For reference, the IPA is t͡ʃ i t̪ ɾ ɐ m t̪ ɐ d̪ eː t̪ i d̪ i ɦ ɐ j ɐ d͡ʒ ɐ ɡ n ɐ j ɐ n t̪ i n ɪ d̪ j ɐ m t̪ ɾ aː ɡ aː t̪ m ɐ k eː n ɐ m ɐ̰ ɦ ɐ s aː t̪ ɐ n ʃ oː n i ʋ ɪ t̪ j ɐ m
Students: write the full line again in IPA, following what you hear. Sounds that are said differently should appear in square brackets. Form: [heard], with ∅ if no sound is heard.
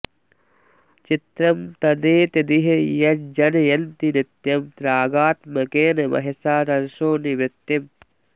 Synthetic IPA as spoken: t͡ʃ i t̪ ɾ ɐ m t̪ ɐ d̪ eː t̪ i d̪ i ɦ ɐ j ɐ d͡ʒ ɐ [∅] n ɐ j ɐ n t̪ i n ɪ [t̪] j ɐ m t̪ ɾ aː ɡ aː t̪ m ɐ k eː n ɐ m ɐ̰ ɦ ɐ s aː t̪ ɐ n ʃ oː n i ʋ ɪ t̪ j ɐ m